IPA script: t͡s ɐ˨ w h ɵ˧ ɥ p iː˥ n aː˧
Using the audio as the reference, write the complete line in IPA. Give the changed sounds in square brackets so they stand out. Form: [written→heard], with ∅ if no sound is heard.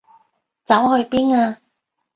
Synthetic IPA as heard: t͡s [ɐ˨→ɐ˨˥] w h ɵ˧ ɥ p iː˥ n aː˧